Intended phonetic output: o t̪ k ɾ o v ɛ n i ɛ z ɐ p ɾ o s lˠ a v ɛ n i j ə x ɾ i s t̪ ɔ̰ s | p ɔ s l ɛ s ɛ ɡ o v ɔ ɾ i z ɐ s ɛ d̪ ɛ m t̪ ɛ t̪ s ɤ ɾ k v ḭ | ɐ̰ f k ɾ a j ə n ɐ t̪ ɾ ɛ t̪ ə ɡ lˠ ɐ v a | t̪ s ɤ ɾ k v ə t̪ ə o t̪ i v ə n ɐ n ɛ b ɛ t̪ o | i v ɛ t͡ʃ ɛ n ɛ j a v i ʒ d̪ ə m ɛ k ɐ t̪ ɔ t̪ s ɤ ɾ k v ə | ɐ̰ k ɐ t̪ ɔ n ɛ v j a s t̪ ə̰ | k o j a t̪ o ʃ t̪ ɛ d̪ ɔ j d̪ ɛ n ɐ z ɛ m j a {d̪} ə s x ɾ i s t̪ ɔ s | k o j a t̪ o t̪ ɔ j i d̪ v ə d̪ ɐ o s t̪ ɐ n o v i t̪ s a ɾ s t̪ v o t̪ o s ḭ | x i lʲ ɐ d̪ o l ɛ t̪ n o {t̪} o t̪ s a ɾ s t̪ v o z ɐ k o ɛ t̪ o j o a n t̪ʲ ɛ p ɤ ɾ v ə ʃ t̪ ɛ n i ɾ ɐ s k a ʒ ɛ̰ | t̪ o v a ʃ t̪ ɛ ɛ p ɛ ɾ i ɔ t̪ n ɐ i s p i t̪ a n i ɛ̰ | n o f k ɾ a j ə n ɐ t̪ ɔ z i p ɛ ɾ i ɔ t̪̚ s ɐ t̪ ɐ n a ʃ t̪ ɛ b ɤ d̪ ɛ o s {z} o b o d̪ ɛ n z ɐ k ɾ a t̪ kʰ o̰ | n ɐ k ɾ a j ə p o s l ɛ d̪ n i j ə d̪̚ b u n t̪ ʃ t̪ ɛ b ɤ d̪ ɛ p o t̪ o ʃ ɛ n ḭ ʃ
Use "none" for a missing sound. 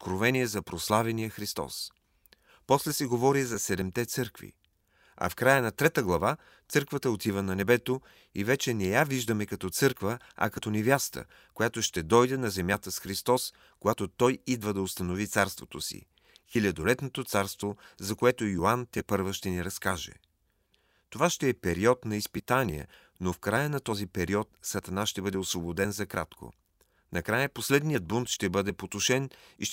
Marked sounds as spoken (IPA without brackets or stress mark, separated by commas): t̪, t̪, v